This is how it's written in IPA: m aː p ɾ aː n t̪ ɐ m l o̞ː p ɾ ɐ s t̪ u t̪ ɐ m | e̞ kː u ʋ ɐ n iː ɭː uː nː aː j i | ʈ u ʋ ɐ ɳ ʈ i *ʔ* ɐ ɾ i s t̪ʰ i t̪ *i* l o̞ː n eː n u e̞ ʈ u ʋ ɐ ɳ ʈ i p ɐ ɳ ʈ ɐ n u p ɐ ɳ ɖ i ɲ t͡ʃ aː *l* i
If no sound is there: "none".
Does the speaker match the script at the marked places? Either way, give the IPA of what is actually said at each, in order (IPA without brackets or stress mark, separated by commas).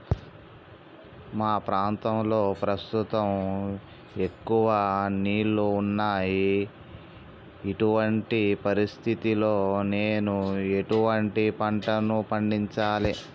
p, i, l